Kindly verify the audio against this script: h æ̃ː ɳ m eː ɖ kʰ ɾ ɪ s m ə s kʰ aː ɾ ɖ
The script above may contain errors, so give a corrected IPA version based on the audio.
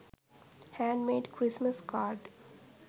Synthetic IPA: h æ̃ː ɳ m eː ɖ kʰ ɾ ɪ s m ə s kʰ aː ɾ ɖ